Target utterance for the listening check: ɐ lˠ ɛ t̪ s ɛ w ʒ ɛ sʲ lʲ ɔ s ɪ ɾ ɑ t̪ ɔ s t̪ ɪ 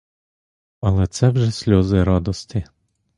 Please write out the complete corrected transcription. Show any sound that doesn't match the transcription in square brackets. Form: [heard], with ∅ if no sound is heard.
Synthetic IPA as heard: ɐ lˠ ɛ t̪ s ɛ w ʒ ɛ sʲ lʲ ɔ [z] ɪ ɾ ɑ [d̪] ɔ s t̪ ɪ